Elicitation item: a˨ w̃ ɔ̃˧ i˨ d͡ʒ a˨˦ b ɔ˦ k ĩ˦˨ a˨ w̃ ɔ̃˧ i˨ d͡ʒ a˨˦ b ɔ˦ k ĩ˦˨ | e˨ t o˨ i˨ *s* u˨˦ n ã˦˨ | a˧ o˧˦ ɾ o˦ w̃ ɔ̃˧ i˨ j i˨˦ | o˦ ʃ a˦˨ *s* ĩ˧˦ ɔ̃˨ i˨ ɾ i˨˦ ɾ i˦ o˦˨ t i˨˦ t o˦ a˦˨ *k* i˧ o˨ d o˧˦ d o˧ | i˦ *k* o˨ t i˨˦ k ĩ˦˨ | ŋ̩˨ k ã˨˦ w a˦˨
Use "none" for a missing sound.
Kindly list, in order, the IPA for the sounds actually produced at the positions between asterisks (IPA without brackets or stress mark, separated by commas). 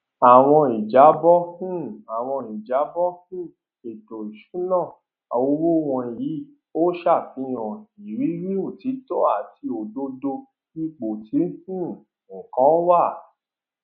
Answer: ʃ, f, t, k͡p